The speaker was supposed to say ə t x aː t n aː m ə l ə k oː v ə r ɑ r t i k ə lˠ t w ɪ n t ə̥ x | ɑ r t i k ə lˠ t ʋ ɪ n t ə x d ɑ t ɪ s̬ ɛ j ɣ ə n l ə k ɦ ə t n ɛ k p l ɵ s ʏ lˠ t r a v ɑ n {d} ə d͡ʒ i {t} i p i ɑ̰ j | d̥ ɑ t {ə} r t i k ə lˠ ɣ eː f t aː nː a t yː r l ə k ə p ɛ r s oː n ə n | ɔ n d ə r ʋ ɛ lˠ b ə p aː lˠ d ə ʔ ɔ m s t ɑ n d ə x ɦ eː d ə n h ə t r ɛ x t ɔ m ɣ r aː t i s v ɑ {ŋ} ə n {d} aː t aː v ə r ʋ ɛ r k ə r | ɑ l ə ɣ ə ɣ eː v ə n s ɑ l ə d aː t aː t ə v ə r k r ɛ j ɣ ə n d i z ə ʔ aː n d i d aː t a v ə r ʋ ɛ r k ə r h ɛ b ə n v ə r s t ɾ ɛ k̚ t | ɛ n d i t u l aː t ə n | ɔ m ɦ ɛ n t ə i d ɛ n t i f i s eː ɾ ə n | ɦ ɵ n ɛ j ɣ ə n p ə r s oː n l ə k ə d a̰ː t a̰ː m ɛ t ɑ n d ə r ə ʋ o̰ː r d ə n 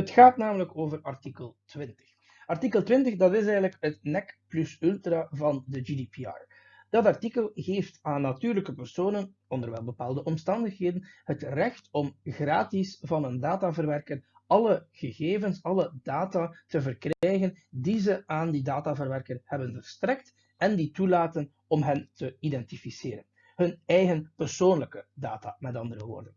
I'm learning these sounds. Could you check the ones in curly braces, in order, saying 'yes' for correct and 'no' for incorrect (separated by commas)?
yes, no, no, no, yes